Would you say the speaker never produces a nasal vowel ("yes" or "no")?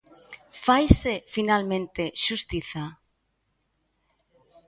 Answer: no